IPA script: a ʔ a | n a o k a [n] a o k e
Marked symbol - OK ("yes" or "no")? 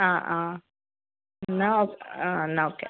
yes